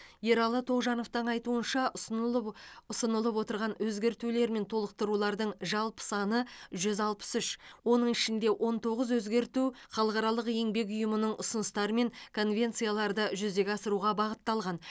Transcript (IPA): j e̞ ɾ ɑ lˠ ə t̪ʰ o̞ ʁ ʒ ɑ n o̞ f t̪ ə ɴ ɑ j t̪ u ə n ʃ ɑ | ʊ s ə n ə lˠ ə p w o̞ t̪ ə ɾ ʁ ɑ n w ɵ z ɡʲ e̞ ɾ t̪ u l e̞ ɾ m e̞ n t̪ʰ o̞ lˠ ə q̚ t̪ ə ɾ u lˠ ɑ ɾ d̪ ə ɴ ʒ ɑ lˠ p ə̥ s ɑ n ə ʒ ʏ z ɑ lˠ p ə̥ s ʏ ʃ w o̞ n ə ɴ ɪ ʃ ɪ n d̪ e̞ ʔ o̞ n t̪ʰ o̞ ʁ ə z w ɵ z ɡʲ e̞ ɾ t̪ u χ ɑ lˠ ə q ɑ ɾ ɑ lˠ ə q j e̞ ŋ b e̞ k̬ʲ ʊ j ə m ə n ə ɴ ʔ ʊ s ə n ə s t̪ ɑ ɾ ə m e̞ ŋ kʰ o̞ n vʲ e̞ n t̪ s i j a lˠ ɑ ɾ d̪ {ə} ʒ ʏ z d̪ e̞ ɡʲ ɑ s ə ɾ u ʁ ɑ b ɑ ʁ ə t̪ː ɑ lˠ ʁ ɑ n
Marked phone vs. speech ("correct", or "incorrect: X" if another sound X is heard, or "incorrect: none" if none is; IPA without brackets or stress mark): correct